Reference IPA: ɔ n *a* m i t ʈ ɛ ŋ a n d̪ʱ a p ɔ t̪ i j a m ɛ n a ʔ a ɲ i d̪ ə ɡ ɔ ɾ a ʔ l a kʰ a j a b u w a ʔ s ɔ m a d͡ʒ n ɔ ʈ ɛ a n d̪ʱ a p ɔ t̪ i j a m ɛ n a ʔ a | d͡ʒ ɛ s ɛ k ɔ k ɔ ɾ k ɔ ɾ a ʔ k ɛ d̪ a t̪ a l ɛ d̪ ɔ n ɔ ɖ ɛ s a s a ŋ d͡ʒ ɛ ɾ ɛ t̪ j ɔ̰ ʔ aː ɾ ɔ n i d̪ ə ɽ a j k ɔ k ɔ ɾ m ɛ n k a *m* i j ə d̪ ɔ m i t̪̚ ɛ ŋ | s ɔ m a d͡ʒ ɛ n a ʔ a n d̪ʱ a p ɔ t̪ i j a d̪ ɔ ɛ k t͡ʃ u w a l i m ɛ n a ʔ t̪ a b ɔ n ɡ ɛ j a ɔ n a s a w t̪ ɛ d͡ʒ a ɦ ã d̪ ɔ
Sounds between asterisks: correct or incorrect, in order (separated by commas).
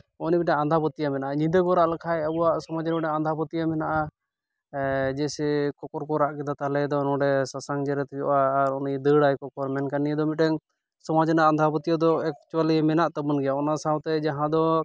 incorrect, incorrect